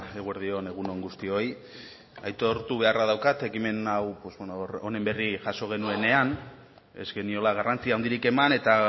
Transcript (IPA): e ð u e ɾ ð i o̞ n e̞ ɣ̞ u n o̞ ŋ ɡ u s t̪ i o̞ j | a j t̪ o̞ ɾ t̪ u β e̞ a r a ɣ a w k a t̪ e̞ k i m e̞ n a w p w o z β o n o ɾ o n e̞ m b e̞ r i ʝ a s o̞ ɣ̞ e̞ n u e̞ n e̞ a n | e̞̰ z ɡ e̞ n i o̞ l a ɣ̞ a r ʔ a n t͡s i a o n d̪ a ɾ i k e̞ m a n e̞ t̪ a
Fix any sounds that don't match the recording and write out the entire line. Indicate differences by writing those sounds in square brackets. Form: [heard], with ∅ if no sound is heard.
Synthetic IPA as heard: e [ɣ] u e ɾ ð i o̞ n e̞ ɣ̞ u n o̞ ŋ ɡ u s t̪ i o̞ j | a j t̪ o̞ ɾ t̪ u β e̞ a r a [ð] a w k a t̪ e̞ k i m e̞ n a w p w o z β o n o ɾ o n e̞ m b e̞ r i ʝ a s o̞ ɣ̞ e̞ n u e̞ n e̞ a n | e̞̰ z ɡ e̞ n i o̞ l a ɣ̞ a r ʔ a n t͡s i a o n d̪ [i] ɾ i k e̞ m a n e̞ t̪ a